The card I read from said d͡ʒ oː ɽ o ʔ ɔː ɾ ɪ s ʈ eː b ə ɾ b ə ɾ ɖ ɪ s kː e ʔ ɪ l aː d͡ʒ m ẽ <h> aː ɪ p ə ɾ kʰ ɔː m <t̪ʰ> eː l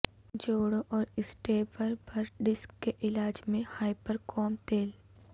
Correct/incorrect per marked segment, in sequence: correct, incorrect

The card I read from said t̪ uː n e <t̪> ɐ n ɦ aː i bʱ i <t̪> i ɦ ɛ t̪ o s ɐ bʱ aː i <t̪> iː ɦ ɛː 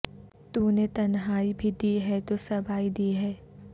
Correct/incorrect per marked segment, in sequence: correct, incorrect, incorrect

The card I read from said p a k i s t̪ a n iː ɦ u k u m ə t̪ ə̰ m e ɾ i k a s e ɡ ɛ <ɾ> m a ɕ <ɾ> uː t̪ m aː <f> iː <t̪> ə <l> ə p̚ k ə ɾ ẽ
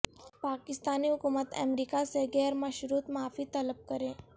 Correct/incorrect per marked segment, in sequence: correct, correct, correct, correct, correct

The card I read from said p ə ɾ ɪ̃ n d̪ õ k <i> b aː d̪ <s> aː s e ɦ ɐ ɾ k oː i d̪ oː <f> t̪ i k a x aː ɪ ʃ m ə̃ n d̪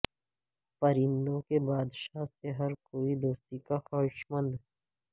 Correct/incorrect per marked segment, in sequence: incorrect, incorrect, incorrect

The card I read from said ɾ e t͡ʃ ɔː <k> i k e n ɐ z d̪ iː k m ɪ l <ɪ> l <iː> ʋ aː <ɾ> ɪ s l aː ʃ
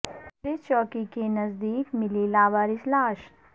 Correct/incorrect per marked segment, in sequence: correct, incorrect, incorrect, correct

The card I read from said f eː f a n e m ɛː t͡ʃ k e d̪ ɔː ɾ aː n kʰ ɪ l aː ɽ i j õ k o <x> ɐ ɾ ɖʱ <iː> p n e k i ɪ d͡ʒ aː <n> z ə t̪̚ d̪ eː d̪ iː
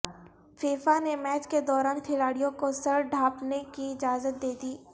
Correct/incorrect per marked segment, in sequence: incorrect, incorrect, incorrect

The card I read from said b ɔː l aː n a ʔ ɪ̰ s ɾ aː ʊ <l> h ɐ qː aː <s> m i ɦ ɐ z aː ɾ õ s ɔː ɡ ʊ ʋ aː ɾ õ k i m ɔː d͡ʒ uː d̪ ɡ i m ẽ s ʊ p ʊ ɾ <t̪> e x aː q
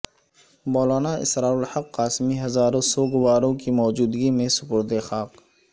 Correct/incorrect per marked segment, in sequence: correct, correct, incorrect

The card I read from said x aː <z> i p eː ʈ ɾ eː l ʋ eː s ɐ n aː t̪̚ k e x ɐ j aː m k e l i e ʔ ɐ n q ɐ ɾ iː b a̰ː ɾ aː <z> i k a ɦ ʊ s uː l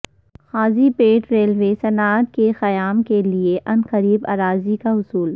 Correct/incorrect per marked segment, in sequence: correct, correct

